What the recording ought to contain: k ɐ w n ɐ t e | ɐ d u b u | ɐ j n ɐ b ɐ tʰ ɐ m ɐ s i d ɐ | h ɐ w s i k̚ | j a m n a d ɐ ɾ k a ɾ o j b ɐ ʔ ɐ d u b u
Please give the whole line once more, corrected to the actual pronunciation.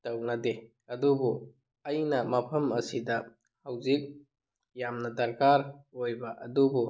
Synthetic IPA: t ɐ w n ɐ d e | ɐ d u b u | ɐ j n ɐ m ɐ pʰ ɐ m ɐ s i d ɐ | h a w z i k̚ | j a m n ɐ d ɐ ɾ k a ɾ o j b ɐ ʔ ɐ d u b u